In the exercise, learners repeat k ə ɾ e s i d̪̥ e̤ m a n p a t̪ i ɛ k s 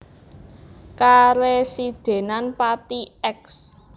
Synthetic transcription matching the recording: k a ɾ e s i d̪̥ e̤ n a n p a t̪ i ɛ k s